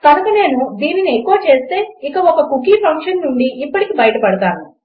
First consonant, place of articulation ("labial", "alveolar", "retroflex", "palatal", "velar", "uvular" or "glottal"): velar